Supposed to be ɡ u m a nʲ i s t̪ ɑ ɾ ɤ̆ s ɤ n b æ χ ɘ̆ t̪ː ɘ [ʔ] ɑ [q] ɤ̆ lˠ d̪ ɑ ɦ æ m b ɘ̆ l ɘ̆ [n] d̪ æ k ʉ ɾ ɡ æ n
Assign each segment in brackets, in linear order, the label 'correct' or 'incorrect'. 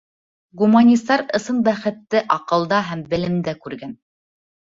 correct, correct, incorrect

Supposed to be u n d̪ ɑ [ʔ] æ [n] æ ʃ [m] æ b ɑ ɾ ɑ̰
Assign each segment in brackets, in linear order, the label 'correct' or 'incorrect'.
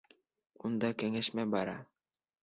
incorrect, incorrect, correct

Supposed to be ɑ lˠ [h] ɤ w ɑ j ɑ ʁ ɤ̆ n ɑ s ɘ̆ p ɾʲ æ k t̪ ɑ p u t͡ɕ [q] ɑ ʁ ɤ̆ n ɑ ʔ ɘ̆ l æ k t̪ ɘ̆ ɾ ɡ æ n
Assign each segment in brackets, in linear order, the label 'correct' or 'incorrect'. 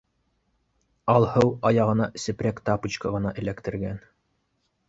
correct, incorrect

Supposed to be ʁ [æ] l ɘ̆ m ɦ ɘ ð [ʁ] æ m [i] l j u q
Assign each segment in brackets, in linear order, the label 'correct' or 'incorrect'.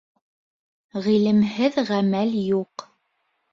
incorrect, correct, incorrect

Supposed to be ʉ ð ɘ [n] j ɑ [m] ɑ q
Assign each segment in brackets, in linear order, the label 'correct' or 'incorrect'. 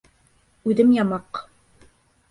incorrect, correct

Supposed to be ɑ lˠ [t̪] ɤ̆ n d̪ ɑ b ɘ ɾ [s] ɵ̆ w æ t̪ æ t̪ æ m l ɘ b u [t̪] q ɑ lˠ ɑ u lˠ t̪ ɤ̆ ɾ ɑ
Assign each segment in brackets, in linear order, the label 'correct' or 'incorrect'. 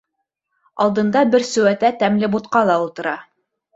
incorrect, correct, correct

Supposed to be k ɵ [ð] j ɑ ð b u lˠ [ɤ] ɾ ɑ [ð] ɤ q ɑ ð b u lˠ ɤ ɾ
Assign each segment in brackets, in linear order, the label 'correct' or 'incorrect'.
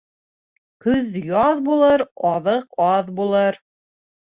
correct, correct, correct

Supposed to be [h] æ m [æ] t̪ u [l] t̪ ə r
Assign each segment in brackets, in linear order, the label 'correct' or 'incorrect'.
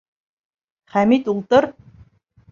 incorrect, incorrect, correct

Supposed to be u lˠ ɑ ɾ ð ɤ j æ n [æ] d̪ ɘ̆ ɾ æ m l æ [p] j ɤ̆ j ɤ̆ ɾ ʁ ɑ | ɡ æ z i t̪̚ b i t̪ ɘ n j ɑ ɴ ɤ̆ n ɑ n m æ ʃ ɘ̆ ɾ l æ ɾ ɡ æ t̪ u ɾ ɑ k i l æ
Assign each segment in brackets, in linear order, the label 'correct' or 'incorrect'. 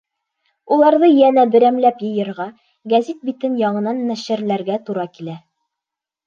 correct, correct

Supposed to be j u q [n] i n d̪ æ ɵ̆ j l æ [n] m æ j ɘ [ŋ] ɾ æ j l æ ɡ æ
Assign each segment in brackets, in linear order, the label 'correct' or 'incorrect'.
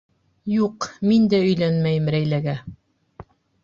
incorrect, correct, incorrect

